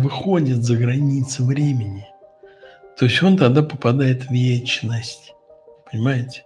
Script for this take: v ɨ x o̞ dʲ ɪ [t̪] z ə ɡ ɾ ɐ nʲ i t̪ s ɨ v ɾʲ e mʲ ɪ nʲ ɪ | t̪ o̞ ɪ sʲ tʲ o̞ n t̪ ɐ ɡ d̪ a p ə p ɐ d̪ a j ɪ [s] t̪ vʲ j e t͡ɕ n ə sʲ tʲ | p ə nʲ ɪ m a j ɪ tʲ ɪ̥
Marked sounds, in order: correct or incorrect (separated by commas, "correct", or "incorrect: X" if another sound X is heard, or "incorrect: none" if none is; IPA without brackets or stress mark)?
correct, incorrect: none